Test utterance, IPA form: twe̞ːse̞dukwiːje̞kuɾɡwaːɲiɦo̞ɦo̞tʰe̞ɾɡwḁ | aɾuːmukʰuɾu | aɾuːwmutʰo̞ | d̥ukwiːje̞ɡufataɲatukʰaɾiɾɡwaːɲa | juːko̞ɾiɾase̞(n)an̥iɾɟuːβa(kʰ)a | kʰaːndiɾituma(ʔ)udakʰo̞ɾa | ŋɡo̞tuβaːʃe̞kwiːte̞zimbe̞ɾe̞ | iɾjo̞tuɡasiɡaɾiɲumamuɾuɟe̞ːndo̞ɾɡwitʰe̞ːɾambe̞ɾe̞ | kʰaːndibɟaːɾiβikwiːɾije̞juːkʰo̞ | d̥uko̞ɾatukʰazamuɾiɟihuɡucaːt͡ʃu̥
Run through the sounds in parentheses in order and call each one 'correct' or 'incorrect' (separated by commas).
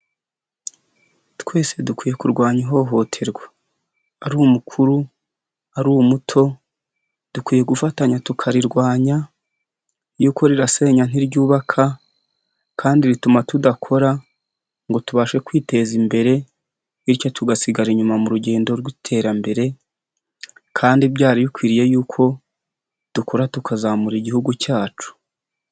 incorrect, correct, incorrect